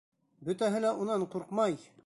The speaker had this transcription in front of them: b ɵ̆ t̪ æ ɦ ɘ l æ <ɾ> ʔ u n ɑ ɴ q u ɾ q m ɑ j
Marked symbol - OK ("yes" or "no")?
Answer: no